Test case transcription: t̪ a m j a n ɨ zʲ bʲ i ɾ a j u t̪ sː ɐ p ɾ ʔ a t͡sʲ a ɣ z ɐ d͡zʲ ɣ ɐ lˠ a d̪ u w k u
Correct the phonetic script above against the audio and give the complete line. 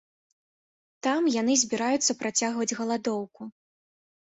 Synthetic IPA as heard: t̪ a m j a n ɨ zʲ bʲ i ɾ a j u t̪ sː ɐ p ɾ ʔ a t͡sʲ a ɣ v ɐ d͡zʲ ɣ ɐ lˠ a d̪ ɔ w k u